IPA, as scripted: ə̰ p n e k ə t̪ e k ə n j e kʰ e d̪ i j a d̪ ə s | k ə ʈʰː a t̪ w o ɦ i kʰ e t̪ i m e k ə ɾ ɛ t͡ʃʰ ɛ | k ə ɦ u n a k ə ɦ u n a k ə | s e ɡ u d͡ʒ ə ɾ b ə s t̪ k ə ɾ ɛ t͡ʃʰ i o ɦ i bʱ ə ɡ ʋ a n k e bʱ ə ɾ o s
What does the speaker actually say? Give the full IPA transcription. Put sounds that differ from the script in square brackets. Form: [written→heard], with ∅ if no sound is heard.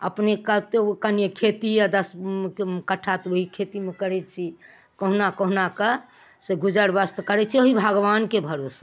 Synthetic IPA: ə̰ p n e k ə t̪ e k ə n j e kʰ e [d̪→t̪] i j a d̪ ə s | k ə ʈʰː a t̪ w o ɦ i kʰ e t̪ i m e k ə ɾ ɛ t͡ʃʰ [ɛ→i] | k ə ɦ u n a k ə ɦ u n a k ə | s e ɡ u d͡ʒ ə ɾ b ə s t̪ k ə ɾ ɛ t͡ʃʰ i o ɦ i bʱ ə ɡ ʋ a n k e bʱ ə ɾ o s